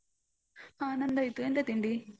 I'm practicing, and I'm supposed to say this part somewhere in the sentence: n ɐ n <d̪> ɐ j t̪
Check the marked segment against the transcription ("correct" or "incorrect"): correct